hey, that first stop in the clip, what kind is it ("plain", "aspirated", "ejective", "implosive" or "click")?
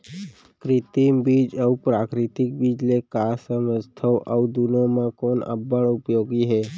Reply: plain